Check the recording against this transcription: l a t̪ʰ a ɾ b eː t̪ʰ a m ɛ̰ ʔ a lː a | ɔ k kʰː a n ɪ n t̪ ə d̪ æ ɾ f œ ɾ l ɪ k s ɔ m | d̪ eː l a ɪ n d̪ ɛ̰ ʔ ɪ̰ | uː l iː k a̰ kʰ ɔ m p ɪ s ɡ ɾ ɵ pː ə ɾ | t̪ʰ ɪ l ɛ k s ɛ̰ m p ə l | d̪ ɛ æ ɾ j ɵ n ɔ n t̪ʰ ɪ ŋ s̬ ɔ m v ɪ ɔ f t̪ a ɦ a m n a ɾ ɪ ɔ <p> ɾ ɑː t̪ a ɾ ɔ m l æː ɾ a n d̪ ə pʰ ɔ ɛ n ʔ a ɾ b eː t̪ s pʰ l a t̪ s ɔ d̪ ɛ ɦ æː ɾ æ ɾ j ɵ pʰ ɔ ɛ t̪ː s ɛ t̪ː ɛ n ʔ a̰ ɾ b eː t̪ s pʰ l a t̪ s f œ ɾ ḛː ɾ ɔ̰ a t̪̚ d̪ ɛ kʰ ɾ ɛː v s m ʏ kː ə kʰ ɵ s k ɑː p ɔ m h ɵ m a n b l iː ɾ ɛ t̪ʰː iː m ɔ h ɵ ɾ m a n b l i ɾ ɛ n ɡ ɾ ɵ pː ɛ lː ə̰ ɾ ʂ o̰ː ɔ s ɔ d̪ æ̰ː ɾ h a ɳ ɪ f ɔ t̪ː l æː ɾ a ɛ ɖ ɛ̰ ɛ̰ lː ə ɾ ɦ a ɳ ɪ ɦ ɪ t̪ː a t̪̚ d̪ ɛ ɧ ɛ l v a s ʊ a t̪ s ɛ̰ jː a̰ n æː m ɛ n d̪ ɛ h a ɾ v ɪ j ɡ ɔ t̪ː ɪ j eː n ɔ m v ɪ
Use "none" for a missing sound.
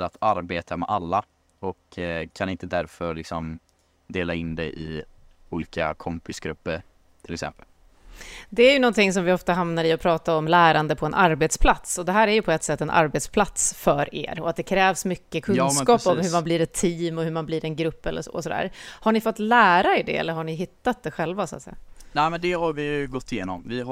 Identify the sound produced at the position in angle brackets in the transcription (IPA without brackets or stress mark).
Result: pʰ